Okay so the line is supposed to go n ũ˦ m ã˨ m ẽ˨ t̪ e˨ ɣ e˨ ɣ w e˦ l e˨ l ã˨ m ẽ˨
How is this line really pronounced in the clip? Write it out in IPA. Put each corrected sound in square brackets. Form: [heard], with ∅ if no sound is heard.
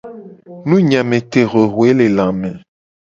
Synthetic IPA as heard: n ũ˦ [ɲ] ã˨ m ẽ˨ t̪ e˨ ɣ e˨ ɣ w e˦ l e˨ l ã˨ m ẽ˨